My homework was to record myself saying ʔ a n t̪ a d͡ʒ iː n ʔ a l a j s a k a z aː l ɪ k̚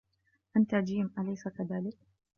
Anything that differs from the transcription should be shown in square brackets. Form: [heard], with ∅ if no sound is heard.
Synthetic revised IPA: ʔ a n t̪ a d͡ʒ iː [m] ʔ a l a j s a k a [ð] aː l ɪ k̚